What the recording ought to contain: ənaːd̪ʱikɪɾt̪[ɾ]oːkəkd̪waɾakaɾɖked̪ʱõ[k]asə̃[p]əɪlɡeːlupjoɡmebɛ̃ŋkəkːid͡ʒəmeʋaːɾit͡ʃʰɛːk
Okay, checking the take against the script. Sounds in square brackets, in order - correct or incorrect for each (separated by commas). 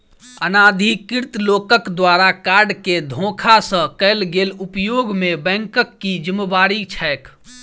incorrect, incorrect, incorrect